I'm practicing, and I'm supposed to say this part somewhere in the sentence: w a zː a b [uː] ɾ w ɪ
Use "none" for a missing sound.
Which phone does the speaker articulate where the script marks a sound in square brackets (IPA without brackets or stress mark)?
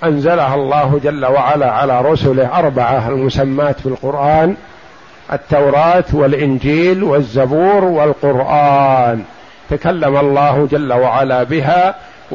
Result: uː